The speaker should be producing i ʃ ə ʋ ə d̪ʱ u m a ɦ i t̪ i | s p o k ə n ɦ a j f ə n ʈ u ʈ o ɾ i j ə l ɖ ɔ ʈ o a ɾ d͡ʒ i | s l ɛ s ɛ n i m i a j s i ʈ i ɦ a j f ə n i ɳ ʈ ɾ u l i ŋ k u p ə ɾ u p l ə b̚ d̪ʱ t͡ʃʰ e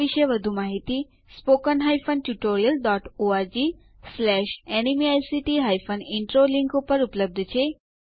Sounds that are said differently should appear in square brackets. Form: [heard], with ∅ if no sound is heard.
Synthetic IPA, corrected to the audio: i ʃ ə ʋ ə d̪ʱ u m a ɦ i t̪ i | s p o k ə n ɦ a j f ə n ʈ u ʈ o ɾ i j ə l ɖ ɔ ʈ o a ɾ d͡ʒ i | s l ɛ [ʃ] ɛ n i m i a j s i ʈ i ɦ a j f ə n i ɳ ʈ ɾ [o] l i ŋ k u p ə ɾ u p l ə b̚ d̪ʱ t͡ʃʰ e